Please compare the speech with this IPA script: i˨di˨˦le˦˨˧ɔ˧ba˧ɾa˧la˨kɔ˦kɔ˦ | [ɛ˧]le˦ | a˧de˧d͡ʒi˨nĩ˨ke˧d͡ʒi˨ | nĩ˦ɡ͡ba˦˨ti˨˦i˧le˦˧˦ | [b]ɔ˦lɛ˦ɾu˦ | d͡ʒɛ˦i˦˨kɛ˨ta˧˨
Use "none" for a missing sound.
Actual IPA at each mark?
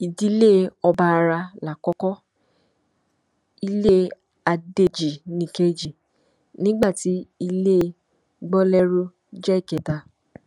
i˧, ɡ͡b

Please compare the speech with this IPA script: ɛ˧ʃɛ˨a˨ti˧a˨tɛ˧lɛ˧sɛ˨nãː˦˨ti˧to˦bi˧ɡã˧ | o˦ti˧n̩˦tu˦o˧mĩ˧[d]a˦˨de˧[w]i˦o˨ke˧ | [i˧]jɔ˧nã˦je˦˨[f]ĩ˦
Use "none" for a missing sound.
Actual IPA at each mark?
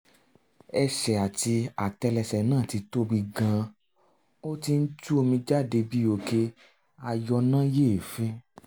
d͡ʒ, b, a˧, f

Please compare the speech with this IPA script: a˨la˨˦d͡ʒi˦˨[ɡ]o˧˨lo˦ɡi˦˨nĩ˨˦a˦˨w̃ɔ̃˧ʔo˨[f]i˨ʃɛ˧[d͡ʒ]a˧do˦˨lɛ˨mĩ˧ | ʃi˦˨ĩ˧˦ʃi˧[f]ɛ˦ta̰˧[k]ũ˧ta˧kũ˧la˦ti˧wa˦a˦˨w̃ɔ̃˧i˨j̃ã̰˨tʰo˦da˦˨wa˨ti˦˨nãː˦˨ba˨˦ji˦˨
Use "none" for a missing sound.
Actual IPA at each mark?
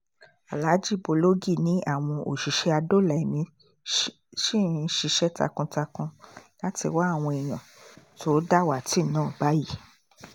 b, ʃ, none, ʃ, k

